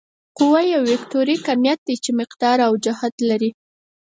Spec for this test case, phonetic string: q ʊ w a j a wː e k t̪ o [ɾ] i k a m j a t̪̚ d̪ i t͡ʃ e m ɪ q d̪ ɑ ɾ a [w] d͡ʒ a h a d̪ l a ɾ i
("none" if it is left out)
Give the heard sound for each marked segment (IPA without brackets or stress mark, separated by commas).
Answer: ɾ, w